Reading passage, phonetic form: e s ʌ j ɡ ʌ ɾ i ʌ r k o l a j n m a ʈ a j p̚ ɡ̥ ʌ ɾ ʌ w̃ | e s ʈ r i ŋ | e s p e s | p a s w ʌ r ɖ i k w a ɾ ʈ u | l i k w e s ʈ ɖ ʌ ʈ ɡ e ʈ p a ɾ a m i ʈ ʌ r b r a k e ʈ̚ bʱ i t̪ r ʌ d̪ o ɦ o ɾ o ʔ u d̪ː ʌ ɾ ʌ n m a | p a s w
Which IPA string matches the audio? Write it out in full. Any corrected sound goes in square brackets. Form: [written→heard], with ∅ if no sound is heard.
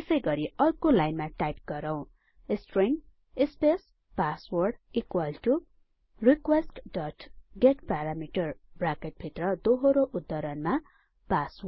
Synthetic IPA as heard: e s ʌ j ɡ ʌ ɾ i ʌ r k o l a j n m a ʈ a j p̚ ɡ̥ ʌ ɾ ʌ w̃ | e s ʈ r i ŋ | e s p e s | p a s w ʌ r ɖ i k w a [ɾ→l] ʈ u | [l→r] i k w e s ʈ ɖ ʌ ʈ ɡ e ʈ p a ɾ a m i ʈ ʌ r b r a k e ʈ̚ bʱ i t̪ r ʌ d̪ o ɦ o ɾ o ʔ u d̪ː ʌ ɾ ʌ n m a | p a s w